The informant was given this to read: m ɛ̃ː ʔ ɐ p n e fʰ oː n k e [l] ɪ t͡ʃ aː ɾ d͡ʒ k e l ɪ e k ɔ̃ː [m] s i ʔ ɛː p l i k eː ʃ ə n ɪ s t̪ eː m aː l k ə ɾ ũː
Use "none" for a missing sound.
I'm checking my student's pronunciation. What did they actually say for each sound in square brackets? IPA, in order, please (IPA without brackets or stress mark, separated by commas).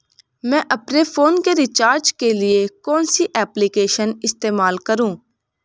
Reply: ɾ, n